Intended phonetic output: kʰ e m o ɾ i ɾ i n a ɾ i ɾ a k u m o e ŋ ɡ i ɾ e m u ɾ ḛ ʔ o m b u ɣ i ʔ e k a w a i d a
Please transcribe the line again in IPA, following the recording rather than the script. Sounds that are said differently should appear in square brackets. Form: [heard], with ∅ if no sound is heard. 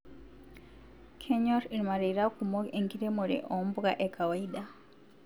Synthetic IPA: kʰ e [ɲ] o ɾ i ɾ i [m] a ɾ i ɾ a k u m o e ŋ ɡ i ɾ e m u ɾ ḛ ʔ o m b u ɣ [a] ʔ e k a w a i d a